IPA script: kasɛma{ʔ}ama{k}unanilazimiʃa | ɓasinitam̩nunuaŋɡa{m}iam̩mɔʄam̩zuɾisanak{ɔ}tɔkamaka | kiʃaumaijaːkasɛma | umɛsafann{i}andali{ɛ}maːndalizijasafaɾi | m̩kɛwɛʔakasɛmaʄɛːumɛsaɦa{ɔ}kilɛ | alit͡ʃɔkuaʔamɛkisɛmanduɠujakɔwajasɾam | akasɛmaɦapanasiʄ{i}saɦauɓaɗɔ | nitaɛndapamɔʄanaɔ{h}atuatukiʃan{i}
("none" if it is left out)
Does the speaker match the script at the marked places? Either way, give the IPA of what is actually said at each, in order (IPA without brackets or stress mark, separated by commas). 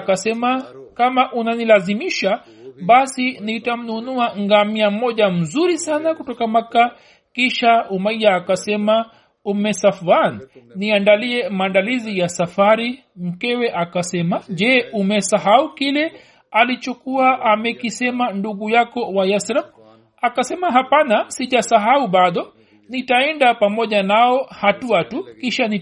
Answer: k, ʔ, m, u, i, ɛ, u, a, h, i